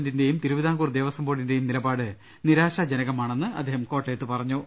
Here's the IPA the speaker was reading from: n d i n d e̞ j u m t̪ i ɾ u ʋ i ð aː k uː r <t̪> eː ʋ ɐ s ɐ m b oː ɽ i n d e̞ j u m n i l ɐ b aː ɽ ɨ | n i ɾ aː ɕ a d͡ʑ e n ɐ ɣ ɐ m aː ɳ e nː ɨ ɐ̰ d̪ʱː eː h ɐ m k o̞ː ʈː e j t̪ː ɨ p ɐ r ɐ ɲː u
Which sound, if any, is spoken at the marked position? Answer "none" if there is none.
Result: d̪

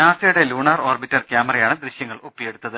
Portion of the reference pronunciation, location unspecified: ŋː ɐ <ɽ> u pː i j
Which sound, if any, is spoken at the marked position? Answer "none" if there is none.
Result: ɭ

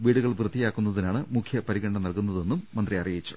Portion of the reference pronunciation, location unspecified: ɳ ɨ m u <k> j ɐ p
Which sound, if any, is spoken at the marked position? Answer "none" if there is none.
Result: kʰ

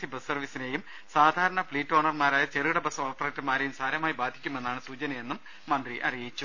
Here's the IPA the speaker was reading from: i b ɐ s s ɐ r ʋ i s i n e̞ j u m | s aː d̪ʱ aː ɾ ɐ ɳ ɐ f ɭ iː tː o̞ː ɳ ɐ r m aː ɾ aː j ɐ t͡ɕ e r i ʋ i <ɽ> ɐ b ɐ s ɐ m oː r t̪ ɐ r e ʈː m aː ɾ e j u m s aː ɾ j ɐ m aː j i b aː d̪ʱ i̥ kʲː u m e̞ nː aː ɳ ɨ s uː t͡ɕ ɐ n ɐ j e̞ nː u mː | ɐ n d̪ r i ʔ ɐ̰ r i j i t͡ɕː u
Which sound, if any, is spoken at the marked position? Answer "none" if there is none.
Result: ɽ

